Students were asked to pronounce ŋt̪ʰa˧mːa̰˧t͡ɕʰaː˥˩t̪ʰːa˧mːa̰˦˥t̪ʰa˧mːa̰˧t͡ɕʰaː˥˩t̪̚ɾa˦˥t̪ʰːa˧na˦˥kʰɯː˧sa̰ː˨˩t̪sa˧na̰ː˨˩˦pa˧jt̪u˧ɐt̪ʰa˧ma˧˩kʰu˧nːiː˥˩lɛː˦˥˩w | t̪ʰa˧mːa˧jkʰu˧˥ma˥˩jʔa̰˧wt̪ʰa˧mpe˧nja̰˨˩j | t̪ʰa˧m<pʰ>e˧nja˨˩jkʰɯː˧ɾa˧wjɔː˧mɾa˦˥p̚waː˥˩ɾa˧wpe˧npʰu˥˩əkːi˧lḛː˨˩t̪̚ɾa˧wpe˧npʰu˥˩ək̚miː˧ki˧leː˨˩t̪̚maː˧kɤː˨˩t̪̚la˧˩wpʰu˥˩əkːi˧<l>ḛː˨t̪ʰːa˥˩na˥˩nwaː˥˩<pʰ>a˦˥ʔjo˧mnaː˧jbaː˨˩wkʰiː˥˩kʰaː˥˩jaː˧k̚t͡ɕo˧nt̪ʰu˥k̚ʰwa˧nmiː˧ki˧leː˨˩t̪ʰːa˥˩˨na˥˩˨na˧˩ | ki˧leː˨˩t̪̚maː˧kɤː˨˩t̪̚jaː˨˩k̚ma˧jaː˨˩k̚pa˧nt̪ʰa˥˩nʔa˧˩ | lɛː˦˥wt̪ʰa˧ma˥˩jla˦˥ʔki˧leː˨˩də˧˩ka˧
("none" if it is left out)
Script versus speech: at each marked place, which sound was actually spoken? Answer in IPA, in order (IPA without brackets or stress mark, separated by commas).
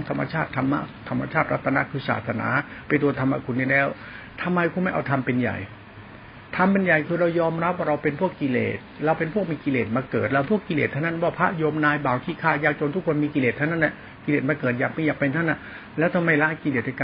p, l, pʰ